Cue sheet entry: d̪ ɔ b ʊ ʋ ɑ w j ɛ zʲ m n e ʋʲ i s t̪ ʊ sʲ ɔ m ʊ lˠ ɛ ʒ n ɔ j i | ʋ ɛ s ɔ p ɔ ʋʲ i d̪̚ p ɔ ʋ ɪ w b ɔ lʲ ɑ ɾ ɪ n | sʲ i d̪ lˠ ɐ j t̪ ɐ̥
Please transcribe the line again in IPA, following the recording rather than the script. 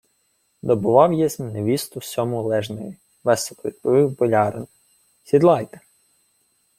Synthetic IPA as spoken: d̪ ɔ b ʊ ʋ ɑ w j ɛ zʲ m n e ʋʲ i s t̪ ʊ sʲ ɔ m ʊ lˠ ɛ ʒ n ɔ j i | ʋ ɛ s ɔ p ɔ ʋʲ i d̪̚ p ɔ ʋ ɪ w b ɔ lʲ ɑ ɾ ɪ n | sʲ i d̪ lˠ ɑ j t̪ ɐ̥